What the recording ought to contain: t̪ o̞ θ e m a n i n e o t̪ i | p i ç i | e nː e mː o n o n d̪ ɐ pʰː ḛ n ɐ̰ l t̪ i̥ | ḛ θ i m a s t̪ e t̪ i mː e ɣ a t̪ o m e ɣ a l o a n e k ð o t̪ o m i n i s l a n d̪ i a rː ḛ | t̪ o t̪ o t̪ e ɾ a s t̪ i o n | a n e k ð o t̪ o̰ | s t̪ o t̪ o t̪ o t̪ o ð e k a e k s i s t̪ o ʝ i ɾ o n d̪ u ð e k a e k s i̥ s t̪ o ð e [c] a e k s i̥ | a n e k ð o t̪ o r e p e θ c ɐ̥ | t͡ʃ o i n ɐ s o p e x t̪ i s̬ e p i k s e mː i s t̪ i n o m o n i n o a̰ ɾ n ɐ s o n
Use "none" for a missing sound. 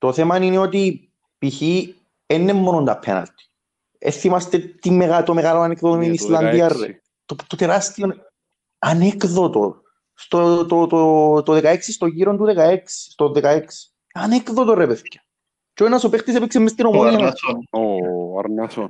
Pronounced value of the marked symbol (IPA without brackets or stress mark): k